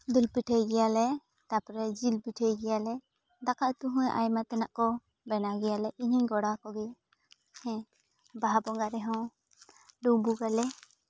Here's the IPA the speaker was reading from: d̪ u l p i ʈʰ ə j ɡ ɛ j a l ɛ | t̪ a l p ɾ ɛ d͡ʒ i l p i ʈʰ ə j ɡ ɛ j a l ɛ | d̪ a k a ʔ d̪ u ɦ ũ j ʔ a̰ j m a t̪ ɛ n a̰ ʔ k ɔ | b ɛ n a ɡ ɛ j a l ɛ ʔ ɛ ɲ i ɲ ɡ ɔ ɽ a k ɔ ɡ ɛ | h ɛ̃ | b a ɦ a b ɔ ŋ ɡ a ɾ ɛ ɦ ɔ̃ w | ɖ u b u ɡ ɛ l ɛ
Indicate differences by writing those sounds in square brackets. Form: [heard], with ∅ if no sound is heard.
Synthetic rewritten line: d̪ u l p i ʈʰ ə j ɡ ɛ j a l ɛ | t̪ a [∅] p ɾ ɛ d͡ʒ i l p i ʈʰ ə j ɡ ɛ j a l ɛ | d̪ a k a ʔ [t̪] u ɦ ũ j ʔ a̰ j m a t̪ ɛ n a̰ ʔ k ɔ | b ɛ n a ɡ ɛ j a l ɛ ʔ [i] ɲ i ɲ ɡ ɔ ɽ a k ɔ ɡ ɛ | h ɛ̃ | b a ɦ a b ɔ ŋ ɡ a ɾ ɛ ɦ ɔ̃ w | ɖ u b u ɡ [a] l ɛ